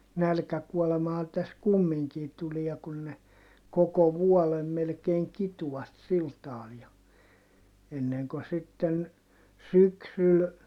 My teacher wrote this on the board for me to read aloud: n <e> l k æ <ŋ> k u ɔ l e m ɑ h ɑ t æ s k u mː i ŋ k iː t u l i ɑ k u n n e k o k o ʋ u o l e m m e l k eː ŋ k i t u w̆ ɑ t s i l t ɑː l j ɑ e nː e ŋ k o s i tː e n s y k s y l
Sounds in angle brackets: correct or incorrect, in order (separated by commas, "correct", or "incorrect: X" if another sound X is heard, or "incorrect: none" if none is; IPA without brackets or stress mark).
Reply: incorrect: æ, incorrect: none